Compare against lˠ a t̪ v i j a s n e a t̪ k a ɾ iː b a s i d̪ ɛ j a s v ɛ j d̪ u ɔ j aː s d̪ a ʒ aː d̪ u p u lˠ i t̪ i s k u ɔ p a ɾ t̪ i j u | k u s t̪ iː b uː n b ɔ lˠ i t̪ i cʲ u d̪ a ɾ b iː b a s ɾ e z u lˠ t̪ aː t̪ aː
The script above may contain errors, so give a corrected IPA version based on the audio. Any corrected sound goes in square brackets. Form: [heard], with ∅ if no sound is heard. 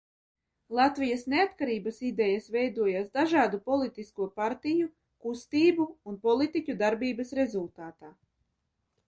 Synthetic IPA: lˠ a t̪ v i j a s n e a t̪ k a ɾ iː b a s i d̪ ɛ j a s v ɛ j d̪ u ɔ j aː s d̪ a ʒ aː d̪ u p [ɔ] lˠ i t̪ i s k u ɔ p a ɾ t̪ i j u | k u s t̪ iː b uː n [p] ɔ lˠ i t̪ i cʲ u d̪ a ɾ b iː b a s ɾ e z u lˠ t̪ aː t̪ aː